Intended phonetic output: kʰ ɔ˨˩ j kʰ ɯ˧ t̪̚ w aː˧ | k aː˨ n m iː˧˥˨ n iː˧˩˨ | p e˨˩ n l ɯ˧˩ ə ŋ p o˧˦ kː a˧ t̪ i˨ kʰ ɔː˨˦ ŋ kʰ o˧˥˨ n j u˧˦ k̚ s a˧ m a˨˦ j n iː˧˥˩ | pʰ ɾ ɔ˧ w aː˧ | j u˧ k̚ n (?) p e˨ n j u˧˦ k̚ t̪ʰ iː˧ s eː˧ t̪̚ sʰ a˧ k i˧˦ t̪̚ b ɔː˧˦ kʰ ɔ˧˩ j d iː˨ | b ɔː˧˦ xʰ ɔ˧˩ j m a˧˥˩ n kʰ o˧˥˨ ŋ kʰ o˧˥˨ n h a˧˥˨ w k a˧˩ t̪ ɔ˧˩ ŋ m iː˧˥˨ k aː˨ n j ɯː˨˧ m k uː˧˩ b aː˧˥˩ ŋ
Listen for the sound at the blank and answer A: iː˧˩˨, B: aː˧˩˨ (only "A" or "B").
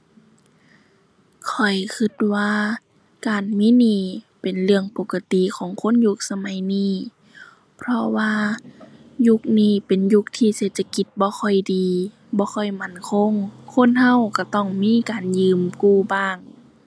A